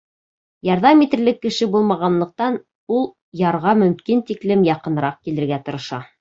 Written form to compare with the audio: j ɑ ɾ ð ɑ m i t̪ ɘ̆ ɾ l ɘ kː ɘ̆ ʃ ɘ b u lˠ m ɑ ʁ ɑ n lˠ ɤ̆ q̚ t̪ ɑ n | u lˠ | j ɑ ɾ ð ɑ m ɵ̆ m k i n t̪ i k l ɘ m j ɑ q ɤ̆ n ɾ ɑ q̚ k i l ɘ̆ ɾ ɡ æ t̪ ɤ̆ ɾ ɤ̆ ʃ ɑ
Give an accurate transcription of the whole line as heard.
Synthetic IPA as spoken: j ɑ ɾ ð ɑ m i t̪ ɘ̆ ɾ l ɘ kː ɘ̆ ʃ ɘ b u lˠ m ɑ ʁ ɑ n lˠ ɤ̆ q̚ t̪ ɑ n | u lˠ | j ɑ ɾ ʁ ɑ m ɵ̆ m k i n t̪ i k l ɘ m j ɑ q ɤ̆ n ɾ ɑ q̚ k i l ɘ̆ ɾ ɡ æ t̪ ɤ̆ ɾ ɤ̆ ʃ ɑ